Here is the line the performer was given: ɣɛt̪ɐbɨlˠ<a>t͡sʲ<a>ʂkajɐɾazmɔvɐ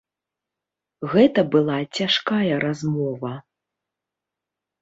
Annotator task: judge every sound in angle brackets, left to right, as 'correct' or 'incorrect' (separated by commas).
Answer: correct, correct